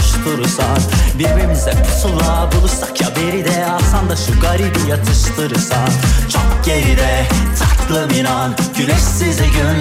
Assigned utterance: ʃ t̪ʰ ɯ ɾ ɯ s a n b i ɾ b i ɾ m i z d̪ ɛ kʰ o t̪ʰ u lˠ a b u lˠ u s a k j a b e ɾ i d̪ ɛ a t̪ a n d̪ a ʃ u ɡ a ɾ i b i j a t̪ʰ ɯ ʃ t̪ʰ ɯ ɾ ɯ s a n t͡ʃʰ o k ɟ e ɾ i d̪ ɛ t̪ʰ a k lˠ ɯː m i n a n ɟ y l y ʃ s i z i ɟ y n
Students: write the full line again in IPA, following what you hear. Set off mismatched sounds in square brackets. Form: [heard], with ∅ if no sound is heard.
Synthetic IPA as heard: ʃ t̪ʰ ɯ ɾ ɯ s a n b i ɾ b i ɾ m i z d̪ ɛ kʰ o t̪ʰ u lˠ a b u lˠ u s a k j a b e ɾ i d̪ ɛ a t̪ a n d̪ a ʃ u ɡ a ɾ i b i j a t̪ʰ ɯ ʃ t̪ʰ ɯ ɾ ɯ s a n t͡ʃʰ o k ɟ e ɾ i d̪ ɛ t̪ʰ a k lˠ [ɯ] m i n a n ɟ y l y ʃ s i z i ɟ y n